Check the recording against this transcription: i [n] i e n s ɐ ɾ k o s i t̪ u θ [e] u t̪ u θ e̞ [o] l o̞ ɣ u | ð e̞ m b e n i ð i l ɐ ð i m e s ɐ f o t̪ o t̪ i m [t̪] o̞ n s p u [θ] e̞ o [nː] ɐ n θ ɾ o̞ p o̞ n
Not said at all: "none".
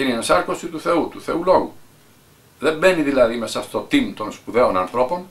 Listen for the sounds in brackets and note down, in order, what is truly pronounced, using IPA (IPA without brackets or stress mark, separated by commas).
n, e, u, t̪, ð, n